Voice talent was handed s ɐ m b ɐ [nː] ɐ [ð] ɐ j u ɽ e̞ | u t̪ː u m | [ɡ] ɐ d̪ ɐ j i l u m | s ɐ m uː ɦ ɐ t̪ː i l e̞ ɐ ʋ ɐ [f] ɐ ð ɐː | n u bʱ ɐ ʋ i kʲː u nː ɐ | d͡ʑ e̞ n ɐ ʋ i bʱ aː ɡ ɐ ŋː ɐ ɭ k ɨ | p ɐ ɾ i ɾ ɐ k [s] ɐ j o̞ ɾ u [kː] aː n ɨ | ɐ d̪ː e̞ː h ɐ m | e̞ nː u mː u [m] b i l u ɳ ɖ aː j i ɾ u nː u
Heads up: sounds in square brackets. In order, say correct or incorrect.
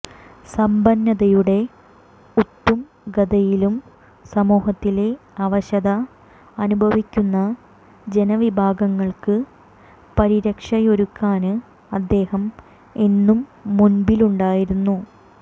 correct, correct, correct, incorrect: ɕ, incorrect: ʂ, correct, incorrect: n

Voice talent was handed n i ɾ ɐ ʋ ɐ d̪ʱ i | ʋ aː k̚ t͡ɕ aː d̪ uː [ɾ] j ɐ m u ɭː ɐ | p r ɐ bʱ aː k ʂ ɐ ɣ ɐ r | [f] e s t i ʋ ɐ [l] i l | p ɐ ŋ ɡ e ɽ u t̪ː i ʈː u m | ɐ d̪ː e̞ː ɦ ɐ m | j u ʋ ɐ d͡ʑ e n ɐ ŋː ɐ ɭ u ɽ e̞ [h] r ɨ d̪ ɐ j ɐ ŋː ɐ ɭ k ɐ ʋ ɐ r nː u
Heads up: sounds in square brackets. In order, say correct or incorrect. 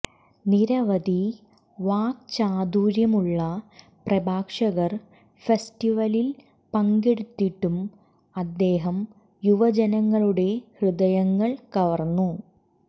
correct, correct, correct, correct

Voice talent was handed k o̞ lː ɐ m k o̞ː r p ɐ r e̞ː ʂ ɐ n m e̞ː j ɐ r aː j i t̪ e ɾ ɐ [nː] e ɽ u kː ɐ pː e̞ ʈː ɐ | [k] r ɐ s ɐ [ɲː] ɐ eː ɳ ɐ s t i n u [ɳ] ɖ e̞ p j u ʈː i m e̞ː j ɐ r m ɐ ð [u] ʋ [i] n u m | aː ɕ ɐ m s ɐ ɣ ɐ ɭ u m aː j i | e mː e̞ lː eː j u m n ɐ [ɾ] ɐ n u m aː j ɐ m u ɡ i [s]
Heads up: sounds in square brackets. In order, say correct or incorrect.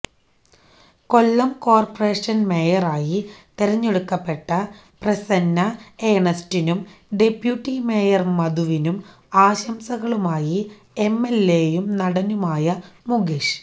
incorrect: ɲː, incorrect: p, incorrect: nː, incorrect: m, correct, correct, incorrect: ɽ, incorrect: ʂ

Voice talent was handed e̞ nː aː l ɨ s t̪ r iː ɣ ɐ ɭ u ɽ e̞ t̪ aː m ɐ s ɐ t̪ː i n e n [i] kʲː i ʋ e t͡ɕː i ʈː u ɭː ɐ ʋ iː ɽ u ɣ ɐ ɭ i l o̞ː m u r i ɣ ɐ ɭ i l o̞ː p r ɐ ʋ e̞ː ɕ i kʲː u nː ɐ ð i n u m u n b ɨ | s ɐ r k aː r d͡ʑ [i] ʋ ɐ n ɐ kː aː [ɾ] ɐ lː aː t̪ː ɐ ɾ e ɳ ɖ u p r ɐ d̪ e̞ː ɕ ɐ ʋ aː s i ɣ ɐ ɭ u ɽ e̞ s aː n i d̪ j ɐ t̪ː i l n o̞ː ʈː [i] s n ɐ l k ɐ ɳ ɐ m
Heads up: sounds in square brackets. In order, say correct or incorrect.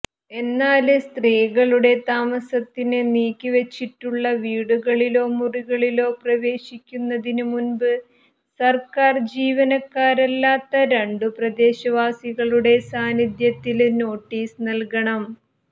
incorrect: iː, incorrect: iː, correct, incorrect: iː

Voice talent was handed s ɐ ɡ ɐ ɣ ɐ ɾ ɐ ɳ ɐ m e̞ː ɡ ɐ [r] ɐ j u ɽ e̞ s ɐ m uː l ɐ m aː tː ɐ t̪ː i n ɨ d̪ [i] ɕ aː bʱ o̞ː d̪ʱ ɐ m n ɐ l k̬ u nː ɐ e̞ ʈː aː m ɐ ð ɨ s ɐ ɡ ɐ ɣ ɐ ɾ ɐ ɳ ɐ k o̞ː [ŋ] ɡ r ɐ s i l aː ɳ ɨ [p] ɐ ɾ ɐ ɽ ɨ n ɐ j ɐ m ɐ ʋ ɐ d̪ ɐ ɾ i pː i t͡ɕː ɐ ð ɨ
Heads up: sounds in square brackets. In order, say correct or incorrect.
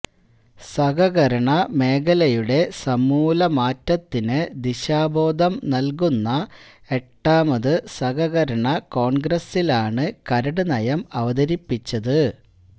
incorrect: l, correct, incorrect: ɳ, incorrect: k

